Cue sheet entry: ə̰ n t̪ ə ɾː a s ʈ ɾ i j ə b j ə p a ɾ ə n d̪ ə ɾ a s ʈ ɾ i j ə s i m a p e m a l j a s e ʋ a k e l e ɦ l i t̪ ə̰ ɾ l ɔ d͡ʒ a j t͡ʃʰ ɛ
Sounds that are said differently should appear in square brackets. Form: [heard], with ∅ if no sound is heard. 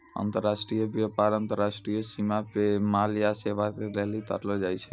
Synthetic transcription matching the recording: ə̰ n t̪ ə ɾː a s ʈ ɾ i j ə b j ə p a ɾ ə n [t̪] ə ɾ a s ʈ ɾ i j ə s i m a p e m a l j a s e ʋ a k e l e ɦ l i t̪ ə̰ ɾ l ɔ d͡ʒ a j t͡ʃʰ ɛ